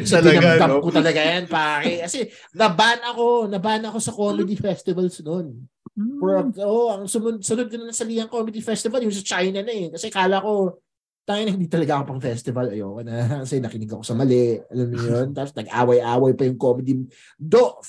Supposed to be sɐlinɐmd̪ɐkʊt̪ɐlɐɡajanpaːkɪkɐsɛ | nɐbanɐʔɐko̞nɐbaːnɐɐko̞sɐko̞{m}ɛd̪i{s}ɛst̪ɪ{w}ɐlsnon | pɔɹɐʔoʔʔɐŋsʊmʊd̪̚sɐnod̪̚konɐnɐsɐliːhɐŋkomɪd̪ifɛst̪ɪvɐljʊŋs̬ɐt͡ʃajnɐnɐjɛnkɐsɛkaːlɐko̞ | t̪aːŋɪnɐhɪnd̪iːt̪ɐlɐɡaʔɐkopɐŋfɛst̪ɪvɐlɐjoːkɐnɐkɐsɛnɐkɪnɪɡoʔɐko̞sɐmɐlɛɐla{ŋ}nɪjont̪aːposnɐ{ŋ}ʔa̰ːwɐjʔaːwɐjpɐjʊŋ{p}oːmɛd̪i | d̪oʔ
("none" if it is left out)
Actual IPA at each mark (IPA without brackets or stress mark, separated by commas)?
m, f, v, m, ɡ, k